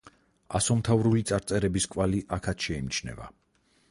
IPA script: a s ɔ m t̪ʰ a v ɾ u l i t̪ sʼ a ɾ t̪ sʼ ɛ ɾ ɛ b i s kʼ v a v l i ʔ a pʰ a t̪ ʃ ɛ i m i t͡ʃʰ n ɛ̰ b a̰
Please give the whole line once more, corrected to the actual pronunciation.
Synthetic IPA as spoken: a s ɔ m t̪ʰ a v ɾ u l i t̪ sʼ a ɾ t̪ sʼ ɛ ɾ ɛ b i s kʼ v a l i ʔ a kʰ a t̪ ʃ ɛ i m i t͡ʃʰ n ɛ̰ v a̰